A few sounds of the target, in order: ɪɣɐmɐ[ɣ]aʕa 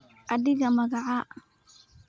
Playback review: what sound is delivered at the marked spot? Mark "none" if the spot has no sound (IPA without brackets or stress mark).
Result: ɣ